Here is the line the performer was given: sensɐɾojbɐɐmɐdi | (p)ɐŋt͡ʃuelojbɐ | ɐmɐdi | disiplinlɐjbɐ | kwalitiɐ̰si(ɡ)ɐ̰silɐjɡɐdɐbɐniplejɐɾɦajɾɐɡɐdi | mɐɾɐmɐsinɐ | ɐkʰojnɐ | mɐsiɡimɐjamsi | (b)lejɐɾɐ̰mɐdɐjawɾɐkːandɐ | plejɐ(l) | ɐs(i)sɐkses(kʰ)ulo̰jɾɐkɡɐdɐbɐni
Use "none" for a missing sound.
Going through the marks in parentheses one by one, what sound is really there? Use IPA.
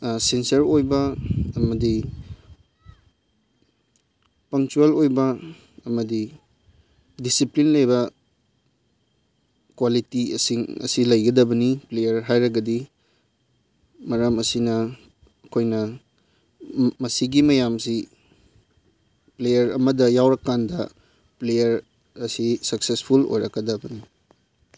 p, ŋ, p, ɾ, i, pʰ

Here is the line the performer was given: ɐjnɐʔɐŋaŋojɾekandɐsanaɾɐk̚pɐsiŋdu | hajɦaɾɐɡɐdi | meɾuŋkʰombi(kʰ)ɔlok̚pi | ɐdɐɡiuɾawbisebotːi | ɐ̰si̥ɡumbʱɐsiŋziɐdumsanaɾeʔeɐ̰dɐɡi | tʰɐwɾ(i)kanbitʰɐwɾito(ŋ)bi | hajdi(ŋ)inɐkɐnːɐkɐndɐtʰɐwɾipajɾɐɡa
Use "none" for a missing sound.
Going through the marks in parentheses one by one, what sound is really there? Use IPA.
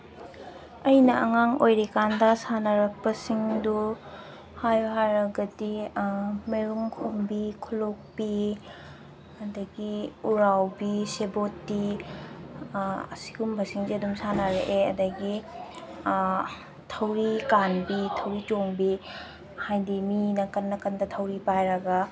kʰ, i, ŋ, m

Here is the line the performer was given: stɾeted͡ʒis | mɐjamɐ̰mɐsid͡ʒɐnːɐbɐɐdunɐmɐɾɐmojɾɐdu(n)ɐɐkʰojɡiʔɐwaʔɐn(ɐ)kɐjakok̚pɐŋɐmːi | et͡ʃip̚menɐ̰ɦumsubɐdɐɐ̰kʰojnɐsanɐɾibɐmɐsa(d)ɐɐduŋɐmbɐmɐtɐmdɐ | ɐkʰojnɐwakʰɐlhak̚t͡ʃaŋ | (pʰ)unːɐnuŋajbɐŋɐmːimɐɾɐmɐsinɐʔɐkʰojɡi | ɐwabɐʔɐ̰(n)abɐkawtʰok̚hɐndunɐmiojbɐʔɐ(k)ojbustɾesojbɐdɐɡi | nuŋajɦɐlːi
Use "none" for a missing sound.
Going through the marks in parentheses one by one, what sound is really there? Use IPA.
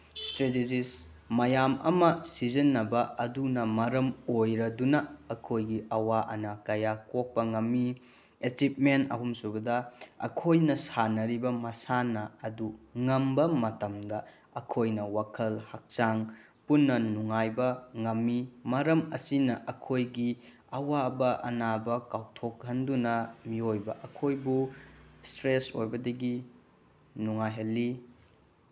n, ɐ, n, p, n, kʰ

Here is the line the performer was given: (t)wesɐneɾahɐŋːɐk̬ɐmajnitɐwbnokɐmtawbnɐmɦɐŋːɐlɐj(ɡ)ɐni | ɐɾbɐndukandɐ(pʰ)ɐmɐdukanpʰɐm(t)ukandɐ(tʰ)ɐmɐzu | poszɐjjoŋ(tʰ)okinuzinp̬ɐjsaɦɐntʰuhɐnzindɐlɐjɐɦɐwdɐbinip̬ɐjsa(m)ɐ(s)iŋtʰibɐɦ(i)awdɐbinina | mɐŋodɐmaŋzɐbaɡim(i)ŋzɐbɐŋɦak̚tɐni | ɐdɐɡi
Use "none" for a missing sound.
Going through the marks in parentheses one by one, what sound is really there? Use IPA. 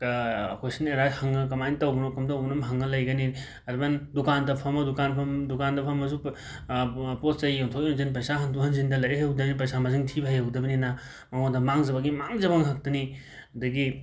k, ɡ, pʰ, d, pʰ, tʰ, m, z, j, a

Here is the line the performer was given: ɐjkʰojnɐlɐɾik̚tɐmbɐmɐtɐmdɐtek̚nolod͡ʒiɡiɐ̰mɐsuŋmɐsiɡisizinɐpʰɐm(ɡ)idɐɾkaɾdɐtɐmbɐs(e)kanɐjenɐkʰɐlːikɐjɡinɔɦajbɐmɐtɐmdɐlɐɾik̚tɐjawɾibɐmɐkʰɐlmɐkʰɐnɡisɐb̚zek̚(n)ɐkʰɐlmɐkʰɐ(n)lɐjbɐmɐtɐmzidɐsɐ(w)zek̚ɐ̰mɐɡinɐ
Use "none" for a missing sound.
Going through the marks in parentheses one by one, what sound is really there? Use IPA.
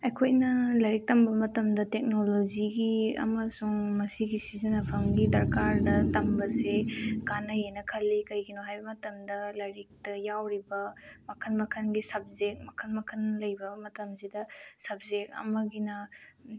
ɡ, e, m, n, b

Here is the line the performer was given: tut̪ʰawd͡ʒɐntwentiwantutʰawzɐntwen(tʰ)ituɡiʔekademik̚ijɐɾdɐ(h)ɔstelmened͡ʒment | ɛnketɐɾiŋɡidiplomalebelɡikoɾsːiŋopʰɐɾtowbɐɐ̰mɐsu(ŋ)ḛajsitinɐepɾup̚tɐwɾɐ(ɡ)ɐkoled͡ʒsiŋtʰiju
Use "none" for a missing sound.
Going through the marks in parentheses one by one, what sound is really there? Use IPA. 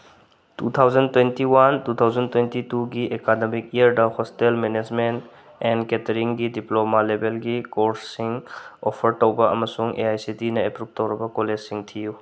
t, h, ŋ, b

